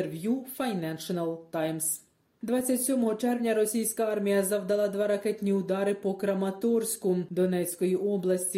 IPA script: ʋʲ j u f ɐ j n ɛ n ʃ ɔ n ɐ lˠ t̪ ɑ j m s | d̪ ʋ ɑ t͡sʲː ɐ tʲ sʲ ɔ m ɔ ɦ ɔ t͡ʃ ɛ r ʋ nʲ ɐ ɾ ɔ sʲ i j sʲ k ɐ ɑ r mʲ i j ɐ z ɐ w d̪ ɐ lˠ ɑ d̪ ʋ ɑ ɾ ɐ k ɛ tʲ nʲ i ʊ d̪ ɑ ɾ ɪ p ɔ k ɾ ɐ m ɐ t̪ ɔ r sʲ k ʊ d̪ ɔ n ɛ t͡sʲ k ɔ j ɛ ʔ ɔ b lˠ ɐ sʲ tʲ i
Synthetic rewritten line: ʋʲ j u f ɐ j n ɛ n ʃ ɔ n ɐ lˠ t̪ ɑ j m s | d̪ ʋ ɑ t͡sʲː ɐ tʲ sʲ ɔ m ɔ ɦ ɔ t͡ʃ ɛ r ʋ nʲ ɐ ɾ ɔ sʲ i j sʲ k ɐ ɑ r mʲ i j ɐ z ɐ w d̪ ɐ lˠ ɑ d̪ ʋ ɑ ɾ ɐ k ɛ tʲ nʲ i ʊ d̪ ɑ ɾ ɪ p ɔ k ɾ ɐ m ɐ t̪ ɔ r sʲ k ʊ d̪ ɔ n ɛ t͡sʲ k ɔ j i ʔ ɔ b lˠ ɐ sʲ tʲ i